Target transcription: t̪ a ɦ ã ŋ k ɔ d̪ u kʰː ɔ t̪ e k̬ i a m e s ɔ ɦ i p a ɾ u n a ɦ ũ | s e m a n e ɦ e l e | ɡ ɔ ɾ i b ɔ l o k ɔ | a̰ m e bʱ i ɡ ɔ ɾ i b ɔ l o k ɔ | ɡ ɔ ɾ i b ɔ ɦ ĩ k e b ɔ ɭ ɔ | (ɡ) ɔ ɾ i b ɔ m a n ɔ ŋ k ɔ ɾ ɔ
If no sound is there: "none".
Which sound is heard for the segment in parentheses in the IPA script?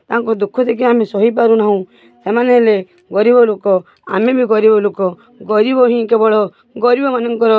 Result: ɡ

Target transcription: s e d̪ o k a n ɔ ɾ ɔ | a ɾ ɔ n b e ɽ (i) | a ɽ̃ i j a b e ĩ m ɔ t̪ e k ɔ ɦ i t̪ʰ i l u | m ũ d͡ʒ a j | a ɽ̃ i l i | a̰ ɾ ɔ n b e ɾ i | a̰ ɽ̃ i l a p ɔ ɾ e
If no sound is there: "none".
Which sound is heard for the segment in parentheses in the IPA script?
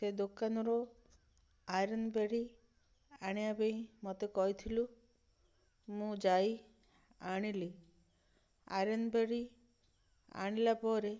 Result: i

